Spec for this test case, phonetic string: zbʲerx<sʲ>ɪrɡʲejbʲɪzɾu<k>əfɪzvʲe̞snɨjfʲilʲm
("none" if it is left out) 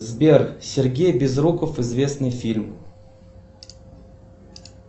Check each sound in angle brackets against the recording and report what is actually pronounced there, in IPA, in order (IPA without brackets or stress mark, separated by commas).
sʲ, k